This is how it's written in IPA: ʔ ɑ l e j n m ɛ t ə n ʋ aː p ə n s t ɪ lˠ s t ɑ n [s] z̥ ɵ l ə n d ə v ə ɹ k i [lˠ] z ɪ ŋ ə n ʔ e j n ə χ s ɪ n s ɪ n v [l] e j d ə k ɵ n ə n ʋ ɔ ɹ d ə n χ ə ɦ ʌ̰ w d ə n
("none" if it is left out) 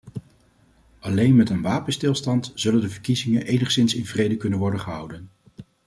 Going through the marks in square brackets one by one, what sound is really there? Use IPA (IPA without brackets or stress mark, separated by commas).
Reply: t, none, r